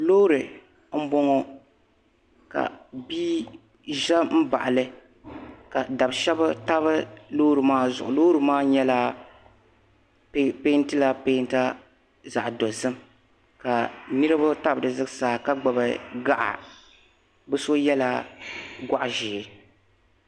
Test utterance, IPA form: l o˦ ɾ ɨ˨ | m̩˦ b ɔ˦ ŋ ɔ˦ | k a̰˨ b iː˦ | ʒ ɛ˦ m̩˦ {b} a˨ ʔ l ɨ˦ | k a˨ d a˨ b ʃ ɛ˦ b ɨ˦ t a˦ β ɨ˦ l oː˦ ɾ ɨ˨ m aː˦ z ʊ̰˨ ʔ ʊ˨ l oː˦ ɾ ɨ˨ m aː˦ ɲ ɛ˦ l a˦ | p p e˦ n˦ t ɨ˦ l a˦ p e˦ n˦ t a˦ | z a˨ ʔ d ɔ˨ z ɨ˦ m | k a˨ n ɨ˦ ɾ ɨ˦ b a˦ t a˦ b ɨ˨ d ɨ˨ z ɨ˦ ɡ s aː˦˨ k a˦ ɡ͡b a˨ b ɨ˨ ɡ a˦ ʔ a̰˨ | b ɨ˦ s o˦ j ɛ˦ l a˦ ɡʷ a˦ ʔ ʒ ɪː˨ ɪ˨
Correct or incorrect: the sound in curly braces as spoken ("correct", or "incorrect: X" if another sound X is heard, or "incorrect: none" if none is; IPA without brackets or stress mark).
correct